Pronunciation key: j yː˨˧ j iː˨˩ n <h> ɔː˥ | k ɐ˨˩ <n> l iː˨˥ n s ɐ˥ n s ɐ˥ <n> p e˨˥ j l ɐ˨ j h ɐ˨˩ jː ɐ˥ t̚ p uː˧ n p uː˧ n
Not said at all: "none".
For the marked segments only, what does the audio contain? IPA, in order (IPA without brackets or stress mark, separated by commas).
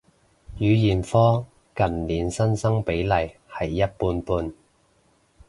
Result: f, n, ŋ